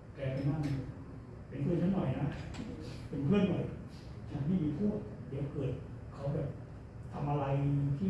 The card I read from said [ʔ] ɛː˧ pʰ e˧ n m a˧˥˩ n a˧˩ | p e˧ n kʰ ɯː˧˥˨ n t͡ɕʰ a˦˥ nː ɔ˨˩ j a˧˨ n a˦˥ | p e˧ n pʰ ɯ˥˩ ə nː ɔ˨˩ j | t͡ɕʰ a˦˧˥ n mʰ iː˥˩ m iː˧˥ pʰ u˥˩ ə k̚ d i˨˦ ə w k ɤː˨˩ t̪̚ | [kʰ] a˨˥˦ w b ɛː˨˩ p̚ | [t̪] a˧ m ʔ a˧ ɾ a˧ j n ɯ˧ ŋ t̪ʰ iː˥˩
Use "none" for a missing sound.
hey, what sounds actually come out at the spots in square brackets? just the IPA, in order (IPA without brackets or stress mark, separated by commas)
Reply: k, kʰ, t̪ʰ